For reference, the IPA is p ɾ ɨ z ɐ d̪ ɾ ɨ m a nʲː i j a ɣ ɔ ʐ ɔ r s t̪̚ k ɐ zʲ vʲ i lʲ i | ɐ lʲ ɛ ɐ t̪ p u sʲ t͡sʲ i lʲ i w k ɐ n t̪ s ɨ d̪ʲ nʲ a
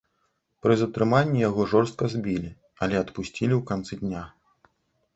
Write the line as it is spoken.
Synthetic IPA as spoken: p ɾ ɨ z ɐ t̪ ɾ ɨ m a nʲː i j a ɣ ɔ ʐ ɔ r s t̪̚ k ɐ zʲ bʲ i lʲ i | ɐ lʲ ɛ ɐ t̪ p u sʲ t͡sʲ i lʲ i w k a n t̪ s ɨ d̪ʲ nʲ a